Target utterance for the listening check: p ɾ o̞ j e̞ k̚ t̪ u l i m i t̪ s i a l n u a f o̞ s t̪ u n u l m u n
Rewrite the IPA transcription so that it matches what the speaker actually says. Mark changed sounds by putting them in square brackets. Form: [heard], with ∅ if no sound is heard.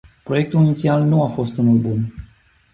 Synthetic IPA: p ɾ o̞ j e̞ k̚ t̪ u l i [n] i t̪ s i a l n u a f o̞ s t̪ u n u l [b] u n